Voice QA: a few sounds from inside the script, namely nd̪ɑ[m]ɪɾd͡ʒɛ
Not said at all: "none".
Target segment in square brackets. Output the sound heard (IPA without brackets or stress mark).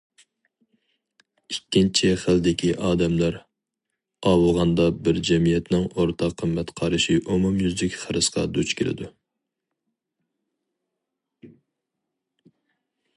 b